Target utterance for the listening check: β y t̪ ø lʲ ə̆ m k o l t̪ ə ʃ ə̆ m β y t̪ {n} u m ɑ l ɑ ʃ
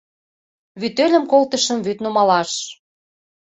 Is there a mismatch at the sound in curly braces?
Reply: no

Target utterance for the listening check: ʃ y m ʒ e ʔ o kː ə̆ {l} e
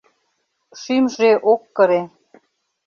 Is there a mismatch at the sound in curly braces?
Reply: yes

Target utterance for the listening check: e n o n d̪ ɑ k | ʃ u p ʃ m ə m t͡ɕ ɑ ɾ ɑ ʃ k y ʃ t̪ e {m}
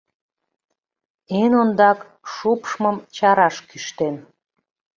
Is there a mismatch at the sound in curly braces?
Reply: yes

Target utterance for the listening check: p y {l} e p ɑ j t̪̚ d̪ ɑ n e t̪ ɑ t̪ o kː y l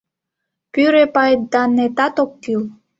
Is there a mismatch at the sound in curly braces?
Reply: yes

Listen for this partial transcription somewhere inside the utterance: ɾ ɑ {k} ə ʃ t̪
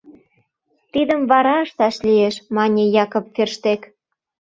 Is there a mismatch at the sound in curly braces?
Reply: yes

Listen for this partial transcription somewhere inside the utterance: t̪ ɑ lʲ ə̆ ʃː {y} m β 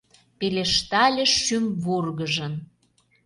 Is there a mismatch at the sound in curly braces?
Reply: no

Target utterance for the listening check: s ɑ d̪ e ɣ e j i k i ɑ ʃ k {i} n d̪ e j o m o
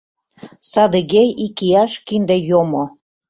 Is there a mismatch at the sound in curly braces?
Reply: no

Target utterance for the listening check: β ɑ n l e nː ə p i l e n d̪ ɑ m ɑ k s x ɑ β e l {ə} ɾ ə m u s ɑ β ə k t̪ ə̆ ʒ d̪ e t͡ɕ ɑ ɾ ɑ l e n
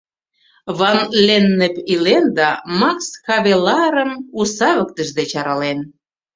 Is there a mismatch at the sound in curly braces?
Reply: yes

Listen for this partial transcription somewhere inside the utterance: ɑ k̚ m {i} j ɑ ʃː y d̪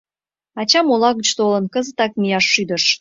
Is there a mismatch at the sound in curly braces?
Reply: no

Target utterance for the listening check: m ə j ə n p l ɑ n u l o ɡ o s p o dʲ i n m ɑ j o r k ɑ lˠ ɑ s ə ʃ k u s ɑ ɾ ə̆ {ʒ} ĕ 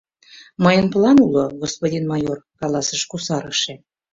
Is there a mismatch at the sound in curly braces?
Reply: yes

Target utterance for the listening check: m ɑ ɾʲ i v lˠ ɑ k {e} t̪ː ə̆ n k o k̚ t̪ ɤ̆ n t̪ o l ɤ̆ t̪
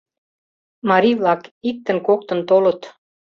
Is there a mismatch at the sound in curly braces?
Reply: yes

